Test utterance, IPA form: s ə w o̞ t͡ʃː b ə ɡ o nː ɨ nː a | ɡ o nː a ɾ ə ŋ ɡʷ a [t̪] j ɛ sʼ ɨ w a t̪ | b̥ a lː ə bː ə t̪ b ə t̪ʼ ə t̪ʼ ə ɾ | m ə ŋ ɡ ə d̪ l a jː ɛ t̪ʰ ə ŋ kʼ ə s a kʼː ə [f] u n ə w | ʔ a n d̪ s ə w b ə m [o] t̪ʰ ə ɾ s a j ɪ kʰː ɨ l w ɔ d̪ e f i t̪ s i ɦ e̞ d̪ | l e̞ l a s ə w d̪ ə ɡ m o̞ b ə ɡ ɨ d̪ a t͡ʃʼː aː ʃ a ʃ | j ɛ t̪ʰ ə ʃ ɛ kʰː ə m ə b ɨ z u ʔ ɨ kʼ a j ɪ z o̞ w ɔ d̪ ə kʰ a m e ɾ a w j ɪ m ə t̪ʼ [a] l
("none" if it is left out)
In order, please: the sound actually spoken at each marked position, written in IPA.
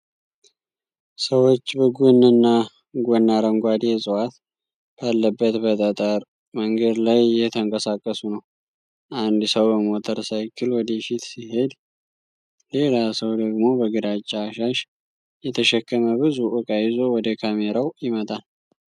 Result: d̪, s, o, a

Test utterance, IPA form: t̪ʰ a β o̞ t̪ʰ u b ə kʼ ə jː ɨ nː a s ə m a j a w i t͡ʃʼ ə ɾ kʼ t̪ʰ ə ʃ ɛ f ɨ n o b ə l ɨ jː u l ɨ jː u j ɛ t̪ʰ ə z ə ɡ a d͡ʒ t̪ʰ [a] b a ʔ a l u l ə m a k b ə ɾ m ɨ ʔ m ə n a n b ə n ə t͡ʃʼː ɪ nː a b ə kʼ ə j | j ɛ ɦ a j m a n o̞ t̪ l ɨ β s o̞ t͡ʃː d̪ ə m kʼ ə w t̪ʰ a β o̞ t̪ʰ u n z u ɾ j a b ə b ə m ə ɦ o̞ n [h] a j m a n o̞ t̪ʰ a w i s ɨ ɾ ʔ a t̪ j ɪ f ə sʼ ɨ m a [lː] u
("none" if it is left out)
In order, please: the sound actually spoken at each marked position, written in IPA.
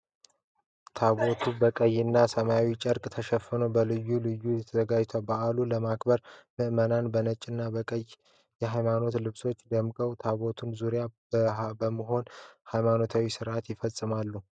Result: a, h, lː

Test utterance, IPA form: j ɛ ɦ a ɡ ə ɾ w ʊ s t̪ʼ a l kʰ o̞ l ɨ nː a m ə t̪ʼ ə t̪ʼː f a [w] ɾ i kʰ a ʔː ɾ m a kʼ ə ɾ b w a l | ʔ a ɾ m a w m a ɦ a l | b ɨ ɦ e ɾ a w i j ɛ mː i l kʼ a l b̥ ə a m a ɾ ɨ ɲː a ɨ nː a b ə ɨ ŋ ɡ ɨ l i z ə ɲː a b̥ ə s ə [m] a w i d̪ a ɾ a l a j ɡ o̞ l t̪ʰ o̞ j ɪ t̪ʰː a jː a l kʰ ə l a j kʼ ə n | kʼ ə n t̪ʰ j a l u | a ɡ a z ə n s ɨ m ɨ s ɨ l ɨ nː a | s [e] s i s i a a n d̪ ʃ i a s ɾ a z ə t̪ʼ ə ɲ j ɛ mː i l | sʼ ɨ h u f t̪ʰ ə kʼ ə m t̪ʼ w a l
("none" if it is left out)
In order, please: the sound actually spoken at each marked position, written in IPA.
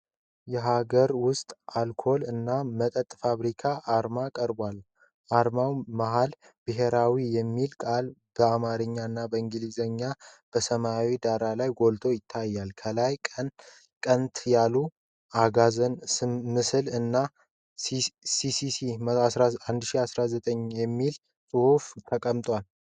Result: β, m, i

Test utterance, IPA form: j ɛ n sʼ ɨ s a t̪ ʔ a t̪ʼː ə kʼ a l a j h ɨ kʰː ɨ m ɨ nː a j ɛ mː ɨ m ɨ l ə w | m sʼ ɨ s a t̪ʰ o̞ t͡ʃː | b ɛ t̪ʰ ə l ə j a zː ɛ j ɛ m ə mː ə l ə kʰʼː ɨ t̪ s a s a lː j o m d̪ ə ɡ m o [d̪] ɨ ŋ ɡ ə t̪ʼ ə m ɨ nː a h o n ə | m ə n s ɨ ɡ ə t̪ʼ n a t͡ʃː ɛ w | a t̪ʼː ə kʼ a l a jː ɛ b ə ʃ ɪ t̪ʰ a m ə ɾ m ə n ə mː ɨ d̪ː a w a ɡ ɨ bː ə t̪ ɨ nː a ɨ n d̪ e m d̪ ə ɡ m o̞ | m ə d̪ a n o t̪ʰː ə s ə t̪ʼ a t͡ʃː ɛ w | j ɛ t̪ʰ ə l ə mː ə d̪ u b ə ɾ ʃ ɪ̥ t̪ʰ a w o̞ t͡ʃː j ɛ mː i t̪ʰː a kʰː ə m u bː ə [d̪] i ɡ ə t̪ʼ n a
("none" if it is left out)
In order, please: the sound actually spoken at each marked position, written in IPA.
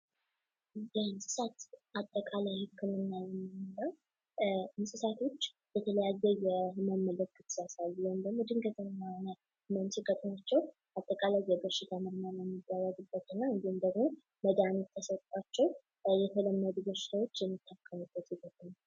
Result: d̪, t̪

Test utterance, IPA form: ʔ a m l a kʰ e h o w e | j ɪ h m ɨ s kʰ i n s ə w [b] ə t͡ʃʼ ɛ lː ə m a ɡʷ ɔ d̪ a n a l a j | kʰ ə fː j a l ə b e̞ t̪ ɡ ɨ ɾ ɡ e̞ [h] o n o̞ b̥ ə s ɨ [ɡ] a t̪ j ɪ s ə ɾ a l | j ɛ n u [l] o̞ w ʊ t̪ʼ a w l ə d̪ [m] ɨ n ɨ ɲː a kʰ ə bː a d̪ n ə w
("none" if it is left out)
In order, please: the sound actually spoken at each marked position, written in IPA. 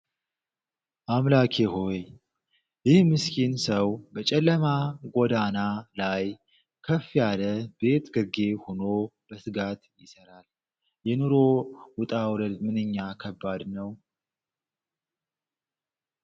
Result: b, h, ɡ, ɾ, m

